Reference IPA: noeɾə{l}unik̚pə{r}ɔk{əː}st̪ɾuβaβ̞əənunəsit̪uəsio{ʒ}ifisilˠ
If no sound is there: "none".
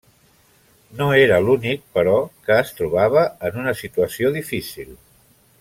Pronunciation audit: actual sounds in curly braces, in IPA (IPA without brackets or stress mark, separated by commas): l, ɾ, əː, ð